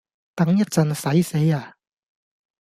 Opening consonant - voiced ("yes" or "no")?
no